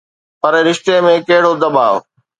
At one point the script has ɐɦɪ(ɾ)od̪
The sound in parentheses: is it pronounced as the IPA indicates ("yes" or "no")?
no